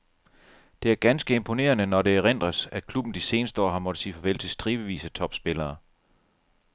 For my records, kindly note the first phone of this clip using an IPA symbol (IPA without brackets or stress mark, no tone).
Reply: d̥